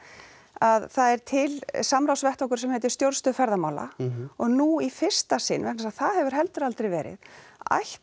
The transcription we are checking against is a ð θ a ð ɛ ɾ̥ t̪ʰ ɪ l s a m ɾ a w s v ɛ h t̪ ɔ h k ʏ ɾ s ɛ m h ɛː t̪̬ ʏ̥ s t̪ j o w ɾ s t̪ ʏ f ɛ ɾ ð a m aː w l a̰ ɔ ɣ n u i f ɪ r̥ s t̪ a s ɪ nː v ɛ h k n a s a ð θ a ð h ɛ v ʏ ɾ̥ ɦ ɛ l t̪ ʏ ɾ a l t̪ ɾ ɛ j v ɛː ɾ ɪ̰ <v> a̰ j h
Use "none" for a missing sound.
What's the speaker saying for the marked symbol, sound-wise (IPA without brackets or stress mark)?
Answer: ð